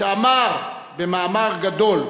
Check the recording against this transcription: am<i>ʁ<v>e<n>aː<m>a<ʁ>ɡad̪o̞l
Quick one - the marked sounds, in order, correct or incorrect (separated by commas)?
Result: incorrect, incorrect, incorrect, correct, correct